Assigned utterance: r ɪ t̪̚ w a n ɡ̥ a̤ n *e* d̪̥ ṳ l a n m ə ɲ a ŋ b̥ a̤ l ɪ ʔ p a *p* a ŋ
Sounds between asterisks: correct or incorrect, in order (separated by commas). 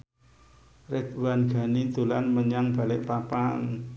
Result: incorrect, correct